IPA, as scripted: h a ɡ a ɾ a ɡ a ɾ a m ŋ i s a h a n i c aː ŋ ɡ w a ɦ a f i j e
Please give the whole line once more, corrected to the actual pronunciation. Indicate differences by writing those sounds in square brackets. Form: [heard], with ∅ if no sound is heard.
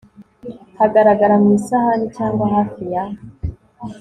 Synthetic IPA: h a ɡ a ɾ a ɡ a ɾ a m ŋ i s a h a n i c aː ŋ ɡ w a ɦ a f i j [a]